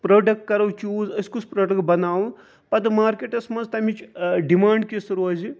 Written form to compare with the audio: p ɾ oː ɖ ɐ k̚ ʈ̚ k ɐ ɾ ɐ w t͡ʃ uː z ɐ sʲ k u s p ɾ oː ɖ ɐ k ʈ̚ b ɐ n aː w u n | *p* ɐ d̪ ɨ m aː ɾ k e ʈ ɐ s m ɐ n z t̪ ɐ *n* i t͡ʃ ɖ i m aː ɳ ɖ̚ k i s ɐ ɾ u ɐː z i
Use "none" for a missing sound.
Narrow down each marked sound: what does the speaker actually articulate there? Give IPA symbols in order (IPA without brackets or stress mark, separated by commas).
p, m